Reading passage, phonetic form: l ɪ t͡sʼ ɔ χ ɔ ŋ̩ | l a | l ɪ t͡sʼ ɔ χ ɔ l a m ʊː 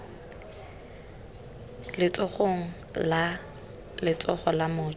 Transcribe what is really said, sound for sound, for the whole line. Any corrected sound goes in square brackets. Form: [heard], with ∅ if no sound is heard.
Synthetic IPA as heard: l ɪ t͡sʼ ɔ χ [o] ŋ̩ | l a | l ɪ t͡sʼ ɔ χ ɔ l a m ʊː